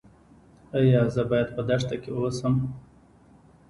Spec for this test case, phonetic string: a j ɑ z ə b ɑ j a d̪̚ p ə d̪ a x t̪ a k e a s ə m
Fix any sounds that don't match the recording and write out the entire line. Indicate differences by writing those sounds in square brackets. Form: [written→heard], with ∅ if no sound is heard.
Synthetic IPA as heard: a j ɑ z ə b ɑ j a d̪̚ p ə d̪ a [x→ʂ] t̪ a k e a s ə m